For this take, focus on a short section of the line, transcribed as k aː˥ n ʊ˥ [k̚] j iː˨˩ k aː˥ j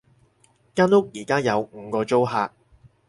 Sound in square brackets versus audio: correct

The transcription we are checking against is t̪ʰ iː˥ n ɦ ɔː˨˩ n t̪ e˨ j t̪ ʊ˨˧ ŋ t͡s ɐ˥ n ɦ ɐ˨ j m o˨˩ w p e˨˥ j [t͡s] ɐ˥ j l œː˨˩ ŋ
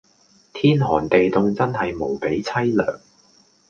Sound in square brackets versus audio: incorrect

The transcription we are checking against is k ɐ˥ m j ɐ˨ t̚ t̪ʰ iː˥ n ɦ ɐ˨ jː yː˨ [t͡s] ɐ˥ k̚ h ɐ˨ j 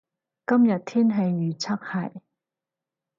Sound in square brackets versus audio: incorrect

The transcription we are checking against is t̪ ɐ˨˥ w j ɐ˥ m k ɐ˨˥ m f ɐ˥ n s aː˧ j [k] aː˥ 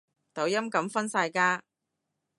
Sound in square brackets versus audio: correct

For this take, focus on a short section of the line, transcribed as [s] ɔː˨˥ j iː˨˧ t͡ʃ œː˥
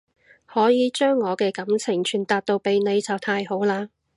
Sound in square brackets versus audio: incorrect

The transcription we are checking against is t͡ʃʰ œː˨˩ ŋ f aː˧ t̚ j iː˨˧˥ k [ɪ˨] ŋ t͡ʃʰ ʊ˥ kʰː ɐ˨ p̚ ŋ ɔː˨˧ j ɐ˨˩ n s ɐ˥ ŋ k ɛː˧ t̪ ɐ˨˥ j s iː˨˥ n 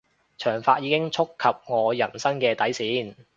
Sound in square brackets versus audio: incorrect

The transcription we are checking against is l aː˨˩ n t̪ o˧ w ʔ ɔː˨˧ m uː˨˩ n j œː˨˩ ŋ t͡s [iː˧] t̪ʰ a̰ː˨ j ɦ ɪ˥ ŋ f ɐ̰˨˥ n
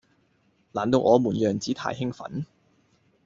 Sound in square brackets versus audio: incorrect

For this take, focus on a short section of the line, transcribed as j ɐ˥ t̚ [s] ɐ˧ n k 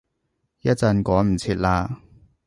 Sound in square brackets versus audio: incorrect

